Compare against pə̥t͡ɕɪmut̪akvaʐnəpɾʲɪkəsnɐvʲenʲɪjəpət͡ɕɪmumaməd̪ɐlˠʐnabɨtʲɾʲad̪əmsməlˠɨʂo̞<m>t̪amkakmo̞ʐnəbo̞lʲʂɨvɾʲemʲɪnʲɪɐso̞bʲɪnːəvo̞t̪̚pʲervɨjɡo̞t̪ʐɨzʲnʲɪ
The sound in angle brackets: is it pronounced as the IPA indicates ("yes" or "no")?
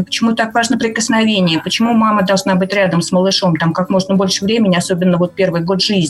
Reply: yes